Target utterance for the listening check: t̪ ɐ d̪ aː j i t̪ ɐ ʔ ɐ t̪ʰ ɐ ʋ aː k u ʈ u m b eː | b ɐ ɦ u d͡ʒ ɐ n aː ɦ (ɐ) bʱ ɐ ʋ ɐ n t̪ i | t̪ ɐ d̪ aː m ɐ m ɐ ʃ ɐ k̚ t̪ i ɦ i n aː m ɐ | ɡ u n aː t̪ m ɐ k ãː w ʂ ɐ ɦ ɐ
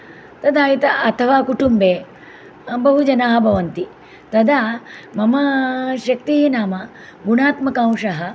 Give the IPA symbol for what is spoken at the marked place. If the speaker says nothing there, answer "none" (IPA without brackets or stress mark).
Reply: ɐ